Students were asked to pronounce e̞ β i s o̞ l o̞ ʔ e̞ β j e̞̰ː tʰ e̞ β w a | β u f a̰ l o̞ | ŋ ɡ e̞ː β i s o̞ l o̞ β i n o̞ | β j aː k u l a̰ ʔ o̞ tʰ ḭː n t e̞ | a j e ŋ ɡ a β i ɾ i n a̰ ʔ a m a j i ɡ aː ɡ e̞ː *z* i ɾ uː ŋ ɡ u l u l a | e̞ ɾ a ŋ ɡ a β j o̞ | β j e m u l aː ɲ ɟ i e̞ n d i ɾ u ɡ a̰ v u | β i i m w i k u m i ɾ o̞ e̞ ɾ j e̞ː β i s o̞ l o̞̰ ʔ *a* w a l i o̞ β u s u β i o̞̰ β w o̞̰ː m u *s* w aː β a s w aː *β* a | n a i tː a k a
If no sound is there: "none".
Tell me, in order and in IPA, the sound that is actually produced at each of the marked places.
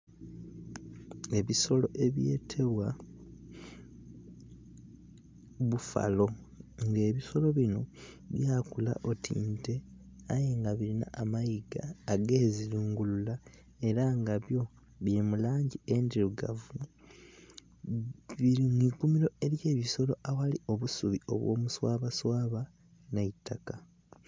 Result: z, a, s, β

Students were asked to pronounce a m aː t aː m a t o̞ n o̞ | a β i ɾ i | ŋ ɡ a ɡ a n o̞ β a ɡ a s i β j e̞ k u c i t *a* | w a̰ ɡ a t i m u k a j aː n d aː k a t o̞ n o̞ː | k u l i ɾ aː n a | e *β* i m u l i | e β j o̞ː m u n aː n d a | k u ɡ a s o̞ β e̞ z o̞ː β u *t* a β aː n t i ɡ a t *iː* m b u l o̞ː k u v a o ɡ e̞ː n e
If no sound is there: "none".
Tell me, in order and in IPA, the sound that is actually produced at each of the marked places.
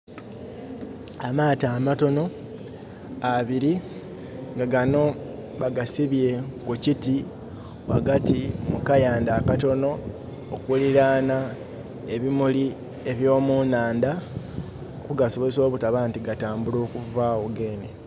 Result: i, β, t, aː

